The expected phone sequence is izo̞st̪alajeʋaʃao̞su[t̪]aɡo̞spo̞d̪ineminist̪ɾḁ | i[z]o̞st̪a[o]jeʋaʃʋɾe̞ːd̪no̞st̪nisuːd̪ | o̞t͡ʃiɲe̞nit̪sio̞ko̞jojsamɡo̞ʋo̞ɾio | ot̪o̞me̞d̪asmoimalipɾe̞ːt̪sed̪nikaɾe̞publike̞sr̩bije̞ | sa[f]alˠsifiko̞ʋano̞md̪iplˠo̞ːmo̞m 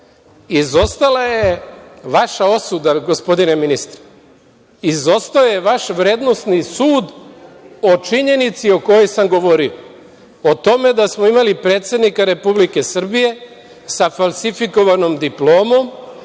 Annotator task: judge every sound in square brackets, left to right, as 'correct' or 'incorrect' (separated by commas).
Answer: incorrect, correct, correct, correct